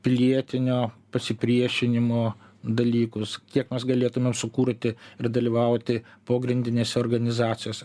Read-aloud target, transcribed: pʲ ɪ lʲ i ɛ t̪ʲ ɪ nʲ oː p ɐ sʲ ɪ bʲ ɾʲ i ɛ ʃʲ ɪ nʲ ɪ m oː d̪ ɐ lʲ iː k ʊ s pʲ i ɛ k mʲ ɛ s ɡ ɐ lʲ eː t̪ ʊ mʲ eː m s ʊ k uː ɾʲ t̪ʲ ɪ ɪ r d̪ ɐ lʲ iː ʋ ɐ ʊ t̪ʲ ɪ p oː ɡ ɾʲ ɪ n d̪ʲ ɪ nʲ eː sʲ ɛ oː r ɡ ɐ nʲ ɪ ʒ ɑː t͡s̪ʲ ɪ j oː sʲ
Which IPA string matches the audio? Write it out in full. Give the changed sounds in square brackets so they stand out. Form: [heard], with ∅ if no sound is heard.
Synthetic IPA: pʲ ɪ lʲ i ɛ t̪ʲ ɪ nʲ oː p ɐ sʲ ɪ [pʲ] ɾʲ i ɛ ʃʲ ɪ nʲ ɪ m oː d̪ ɐ lʲ iː k ʊ s [kʲ] i ɛ k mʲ ɛ s ɡ ɐ lʲ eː t̪ ʊ mʲ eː m s ʊ k uː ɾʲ t̪ʲ ɪ ɪ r d̪ ɐ lʲ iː ʋ ɐ ʊ t̪ʲ ɪ p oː ɡ ɾʲ ɪ n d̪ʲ ɪ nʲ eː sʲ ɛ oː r ɡ ɐ nʲ ɪ [z] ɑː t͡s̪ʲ ɪ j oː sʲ